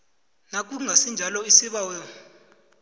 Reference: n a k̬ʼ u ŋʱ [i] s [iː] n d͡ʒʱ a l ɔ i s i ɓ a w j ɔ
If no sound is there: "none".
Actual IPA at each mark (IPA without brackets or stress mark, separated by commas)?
a, i